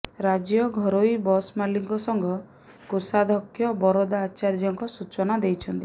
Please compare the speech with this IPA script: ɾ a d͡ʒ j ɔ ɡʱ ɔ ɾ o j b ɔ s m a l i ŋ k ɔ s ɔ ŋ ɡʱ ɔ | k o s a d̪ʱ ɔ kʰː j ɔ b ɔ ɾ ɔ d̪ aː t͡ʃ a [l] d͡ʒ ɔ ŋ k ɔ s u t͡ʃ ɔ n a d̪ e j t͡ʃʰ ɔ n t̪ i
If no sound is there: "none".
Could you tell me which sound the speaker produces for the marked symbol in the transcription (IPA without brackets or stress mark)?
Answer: ɾ